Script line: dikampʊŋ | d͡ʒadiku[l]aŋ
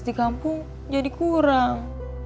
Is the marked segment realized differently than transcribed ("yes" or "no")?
yes